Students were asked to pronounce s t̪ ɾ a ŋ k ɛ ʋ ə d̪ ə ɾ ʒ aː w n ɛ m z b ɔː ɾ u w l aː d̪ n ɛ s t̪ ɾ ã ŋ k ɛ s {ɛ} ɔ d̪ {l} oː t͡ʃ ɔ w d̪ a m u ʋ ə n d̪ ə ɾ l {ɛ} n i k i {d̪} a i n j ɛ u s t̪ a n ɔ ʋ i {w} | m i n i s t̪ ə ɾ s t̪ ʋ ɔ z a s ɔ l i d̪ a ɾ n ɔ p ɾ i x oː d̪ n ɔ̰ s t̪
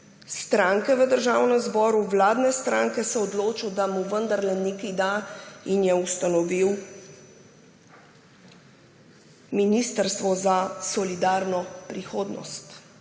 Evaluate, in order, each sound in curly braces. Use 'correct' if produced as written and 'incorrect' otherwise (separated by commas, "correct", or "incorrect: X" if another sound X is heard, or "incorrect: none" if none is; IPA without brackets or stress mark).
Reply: correct, correct, correct, correct, correct